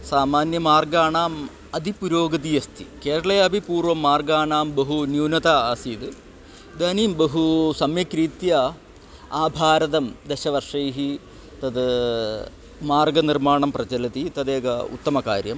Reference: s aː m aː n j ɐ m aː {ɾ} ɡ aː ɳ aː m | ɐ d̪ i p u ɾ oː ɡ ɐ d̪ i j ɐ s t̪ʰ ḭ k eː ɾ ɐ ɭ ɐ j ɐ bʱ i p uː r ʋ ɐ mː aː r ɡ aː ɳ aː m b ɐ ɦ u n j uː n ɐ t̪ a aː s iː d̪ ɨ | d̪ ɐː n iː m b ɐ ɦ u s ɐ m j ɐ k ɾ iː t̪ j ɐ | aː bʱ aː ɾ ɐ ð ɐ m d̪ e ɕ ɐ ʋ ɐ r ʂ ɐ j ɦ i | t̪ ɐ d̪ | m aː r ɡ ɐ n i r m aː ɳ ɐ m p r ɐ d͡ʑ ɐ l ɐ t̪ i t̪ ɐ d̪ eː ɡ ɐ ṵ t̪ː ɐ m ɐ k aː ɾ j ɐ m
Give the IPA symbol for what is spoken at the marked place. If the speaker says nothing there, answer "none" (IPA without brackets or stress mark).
r